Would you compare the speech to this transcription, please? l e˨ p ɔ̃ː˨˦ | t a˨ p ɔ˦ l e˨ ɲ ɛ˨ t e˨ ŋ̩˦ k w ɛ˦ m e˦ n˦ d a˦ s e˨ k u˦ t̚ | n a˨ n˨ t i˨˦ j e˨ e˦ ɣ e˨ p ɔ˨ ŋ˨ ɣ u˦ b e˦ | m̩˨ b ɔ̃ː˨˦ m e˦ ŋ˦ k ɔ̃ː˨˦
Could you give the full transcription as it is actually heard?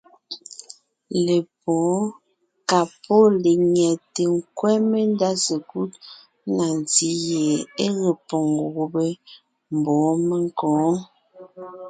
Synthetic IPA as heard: l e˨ p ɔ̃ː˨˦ | k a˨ p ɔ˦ l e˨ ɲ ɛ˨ t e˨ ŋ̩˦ k w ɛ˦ m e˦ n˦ d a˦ s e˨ k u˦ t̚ | n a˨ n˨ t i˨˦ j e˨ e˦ ɣ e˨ p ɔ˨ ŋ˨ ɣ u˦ b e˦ | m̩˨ b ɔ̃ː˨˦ m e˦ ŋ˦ k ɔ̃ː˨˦